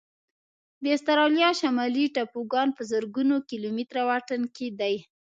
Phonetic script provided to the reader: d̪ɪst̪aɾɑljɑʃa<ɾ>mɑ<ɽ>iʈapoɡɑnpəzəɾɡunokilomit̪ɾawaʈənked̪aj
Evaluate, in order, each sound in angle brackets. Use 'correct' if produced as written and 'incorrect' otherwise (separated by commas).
incorrect, incorrect